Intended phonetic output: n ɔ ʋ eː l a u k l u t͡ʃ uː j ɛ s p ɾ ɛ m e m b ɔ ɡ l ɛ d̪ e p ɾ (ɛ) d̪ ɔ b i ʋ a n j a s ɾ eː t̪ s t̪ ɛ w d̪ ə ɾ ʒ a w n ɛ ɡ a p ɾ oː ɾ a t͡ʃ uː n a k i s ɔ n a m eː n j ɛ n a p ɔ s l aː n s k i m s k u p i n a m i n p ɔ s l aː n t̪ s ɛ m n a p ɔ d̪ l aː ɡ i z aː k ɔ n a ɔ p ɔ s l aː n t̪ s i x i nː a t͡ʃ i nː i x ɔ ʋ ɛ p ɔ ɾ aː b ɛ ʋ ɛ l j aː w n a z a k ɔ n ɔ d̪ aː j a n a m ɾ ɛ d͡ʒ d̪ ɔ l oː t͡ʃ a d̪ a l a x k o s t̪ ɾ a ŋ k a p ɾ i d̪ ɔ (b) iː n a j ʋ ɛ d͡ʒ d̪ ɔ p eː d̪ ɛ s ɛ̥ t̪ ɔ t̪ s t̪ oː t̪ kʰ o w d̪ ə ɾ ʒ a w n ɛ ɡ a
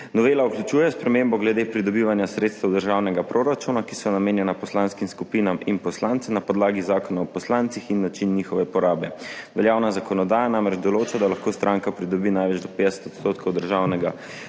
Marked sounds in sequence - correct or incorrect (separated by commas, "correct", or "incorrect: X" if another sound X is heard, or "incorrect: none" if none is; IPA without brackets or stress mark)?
incorrect: i, correct